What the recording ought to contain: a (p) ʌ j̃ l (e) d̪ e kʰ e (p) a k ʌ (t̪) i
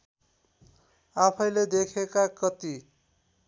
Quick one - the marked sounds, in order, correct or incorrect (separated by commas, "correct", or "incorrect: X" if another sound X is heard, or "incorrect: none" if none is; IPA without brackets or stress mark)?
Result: incorrect: pʰ, correct, incorrect: k, correct